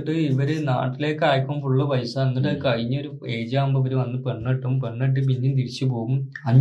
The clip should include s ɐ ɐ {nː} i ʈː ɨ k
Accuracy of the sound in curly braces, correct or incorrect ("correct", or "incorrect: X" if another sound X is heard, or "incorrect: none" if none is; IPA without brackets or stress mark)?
correct